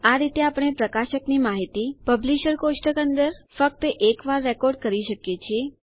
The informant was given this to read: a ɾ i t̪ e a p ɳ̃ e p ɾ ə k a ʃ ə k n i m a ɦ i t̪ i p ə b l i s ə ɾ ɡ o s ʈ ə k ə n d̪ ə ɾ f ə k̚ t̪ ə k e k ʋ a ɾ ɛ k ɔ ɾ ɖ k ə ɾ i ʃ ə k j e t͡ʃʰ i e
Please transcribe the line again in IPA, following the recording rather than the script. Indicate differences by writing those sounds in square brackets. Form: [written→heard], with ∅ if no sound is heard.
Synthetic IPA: a ɾ i t̪ e a p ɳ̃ e p ɾ ə k a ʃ ə k n i m a ɦ i t̪ i p ə b l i [s→ʃ] ə ɾ [ɡ→k] o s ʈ ə k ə n d̪ ə ɾ f ə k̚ t̪ ə [k→ʔ] e k ʋ a [ɾ→ɾː] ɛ k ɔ ɾ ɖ k ə ɾ i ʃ ə k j e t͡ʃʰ i e